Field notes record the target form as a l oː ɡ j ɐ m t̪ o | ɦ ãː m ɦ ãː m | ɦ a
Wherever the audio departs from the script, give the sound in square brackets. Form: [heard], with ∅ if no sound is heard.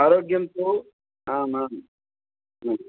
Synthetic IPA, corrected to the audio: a [ɾ] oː ɡ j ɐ m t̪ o | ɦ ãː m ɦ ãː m | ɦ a